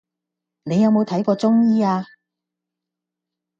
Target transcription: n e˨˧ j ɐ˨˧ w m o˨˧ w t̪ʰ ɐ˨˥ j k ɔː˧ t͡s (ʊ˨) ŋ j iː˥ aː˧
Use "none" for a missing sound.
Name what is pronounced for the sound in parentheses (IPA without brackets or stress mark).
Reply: ʊ˥